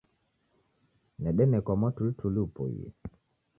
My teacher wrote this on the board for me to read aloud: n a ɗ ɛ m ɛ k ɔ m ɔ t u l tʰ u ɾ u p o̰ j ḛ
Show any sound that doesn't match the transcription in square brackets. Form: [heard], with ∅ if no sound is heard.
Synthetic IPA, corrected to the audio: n [ɛ] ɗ ɛ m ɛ k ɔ m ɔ t u l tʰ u [l] u p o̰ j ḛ